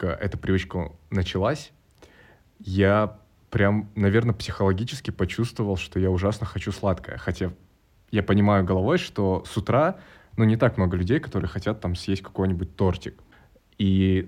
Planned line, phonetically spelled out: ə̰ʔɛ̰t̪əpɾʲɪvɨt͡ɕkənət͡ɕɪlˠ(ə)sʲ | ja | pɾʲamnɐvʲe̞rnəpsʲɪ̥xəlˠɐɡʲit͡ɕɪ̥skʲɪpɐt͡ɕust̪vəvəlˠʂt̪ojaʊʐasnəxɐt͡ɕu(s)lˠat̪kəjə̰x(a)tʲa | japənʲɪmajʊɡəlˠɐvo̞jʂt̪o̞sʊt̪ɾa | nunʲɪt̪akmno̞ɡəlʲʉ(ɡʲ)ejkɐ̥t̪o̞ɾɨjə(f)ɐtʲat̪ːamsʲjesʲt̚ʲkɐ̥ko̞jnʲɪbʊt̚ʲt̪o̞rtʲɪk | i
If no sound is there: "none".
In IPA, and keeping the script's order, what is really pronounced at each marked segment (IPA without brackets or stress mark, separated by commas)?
a, s, ɐ, dʲ, x